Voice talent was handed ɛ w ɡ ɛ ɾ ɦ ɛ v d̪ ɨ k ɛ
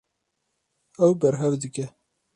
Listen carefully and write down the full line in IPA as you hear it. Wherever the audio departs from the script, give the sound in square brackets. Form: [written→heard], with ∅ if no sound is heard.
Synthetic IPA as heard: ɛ w [ɡ→b] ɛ ɾ ɦ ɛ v d̪ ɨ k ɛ